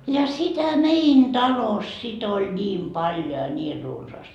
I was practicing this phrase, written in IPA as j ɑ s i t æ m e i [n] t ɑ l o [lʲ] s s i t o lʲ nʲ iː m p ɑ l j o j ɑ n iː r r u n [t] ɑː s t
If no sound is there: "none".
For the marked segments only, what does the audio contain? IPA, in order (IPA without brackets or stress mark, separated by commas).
n, none, s